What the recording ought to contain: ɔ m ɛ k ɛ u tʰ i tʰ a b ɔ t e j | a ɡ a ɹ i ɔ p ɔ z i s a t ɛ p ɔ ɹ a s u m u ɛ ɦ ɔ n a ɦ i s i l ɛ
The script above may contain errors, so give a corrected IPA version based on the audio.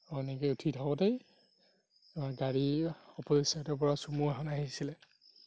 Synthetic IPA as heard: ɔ n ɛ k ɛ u tʰ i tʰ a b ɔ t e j | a ɡ a ɹ i ɔ p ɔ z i s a t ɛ p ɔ ɹ a s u m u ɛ ɦ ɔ n a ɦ i s i l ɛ